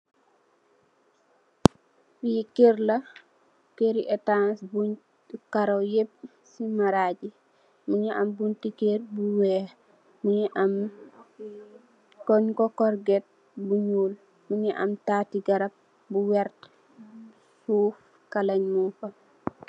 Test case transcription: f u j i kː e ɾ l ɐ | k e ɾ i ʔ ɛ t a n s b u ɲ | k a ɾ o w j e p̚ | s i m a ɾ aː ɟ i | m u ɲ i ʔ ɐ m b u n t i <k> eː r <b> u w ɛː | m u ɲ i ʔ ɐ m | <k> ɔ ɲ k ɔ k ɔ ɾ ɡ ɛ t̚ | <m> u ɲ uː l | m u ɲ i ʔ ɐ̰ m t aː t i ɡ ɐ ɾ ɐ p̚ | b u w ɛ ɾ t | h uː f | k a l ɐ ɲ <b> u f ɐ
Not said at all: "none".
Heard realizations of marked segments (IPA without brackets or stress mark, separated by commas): k, b, k, b, m